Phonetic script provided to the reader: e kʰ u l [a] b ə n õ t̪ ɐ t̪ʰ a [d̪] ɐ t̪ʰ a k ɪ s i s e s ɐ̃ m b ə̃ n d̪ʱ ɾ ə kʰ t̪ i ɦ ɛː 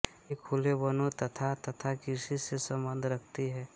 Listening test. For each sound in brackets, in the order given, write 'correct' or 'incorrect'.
incorrect, incorrect

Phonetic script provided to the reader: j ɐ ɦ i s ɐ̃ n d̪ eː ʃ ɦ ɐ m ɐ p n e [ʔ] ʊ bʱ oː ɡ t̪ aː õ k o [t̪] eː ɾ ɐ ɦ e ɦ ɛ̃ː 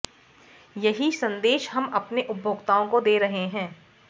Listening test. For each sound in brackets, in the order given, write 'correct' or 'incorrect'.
correct, incorrect

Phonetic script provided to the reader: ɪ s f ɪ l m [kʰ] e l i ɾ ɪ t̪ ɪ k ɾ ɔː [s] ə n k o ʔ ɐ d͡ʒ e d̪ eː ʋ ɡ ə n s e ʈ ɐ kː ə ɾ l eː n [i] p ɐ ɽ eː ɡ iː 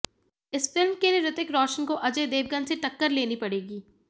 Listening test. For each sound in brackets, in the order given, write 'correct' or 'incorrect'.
incorrect, incorrect, correct

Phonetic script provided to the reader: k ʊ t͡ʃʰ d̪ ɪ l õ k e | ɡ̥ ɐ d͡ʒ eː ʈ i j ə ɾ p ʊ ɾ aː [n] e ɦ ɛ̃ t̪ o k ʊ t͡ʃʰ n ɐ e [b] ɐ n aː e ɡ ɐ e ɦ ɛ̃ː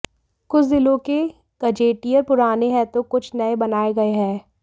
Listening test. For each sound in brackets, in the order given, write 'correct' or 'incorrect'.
correct, correct

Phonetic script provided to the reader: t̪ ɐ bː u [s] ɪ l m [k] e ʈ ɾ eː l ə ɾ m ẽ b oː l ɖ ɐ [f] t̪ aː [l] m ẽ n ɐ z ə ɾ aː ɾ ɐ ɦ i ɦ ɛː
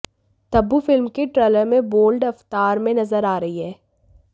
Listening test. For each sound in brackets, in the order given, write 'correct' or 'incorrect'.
incorrect, correct, correct, incorrect

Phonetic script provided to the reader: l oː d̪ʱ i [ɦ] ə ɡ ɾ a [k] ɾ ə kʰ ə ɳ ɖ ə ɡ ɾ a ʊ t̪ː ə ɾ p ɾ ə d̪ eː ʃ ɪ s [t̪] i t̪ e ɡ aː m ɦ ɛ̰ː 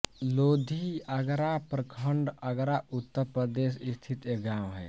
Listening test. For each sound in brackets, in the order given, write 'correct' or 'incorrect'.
incorrect, incorrect, incorrect

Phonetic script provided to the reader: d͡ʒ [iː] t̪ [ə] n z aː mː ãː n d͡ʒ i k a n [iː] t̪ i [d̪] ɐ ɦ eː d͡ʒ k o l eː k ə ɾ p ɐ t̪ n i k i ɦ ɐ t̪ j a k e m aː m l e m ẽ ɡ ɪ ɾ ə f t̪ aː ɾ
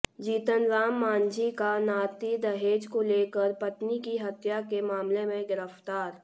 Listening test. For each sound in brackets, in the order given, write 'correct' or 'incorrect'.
correct, correct, incorrect, correct

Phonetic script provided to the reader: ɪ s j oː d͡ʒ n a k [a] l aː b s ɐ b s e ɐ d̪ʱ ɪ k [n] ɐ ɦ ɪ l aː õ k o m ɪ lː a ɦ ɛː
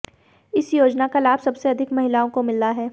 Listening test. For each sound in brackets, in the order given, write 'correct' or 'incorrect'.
correct, incorrect

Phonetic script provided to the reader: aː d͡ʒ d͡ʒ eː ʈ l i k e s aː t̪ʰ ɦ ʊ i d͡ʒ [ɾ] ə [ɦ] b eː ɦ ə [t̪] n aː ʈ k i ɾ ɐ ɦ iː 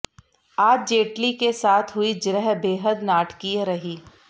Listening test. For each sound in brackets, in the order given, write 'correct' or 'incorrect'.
correct, correct, incorrect

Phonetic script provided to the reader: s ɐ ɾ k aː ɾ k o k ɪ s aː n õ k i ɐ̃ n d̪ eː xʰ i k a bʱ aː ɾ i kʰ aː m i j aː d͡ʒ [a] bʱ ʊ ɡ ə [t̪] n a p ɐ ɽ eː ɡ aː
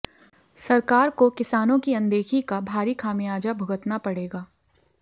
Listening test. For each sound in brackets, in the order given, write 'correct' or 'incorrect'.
correct, correct

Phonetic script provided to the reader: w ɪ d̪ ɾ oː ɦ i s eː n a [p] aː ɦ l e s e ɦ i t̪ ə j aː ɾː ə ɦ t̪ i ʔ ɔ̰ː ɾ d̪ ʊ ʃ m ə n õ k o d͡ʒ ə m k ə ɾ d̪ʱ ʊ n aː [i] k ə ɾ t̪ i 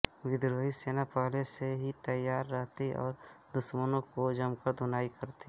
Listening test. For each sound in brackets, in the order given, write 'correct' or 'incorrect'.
correct, correct

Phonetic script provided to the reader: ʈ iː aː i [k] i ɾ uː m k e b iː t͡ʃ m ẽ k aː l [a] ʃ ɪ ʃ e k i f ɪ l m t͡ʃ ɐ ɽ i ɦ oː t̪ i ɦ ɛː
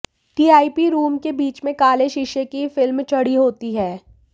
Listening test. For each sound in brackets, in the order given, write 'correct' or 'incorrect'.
incorrect, incorrect

